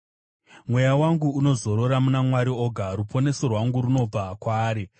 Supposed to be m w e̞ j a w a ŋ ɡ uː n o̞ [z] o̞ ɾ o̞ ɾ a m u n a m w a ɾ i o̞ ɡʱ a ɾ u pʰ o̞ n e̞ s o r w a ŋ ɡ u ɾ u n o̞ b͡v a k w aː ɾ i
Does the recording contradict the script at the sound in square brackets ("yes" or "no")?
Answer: no